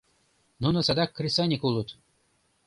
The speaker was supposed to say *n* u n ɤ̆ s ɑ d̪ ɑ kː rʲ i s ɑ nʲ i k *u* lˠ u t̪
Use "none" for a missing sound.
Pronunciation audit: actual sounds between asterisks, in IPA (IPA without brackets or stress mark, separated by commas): n, u